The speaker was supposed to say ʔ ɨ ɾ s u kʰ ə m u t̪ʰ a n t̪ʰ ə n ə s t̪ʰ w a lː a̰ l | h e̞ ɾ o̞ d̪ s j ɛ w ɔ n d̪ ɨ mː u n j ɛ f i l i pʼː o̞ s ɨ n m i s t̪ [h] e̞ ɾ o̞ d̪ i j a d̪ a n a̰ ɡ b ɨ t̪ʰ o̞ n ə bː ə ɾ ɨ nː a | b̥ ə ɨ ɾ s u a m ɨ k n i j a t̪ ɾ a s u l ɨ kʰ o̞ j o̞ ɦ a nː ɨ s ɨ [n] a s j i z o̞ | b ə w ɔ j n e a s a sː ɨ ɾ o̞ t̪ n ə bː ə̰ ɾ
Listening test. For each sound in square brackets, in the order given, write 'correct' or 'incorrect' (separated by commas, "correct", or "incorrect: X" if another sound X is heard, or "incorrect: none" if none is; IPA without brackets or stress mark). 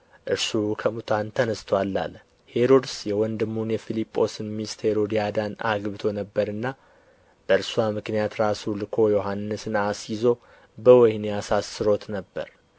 correct, correct